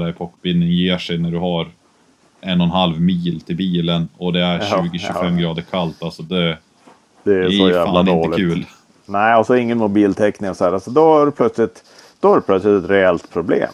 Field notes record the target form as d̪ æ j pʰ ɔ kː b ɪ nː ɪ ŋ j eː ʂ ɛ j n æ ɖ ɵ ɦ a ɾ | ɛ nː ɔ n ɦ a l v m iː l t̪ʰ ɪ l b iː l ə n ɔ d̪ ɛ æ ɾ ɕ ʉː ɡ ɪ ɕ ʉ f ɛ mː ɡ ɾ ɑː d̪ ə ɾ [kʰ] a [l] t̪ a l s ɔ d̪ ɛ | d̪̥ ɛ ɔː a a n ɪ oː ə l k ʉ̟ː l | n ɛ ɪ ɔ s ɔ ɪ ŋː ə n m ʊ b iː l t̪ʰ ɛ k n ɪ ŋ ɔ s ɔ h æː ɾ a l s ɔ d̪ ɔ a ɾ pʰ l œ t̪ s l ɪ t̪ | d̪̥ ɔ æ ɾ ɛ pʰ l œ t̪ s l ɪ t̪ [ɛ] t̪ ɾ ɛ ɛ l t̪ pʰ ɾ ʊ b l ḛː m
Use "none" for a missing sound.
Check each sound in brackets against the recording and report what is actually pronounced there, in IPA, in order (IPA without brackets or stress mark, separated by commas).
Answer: kʰ, l, ɛ